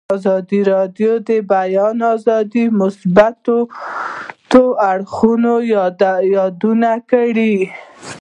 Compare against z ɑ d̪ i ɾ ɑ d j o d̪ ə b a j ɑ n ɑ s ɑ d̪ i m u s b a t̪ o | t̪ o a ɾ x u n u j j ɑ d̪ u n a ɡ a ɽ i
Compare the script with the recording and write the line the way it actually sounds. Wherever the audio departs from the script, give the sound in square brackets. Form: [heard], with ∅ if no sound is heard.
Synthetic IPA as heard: z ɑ d̪ i ɾ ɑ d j o d̪ ə b a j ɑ n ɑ [z] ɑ d̪ i m [ʊ] s b a t̪ o | t̪ o a [ɽ] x u n [o] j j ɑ d̪ u n a [k] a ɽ i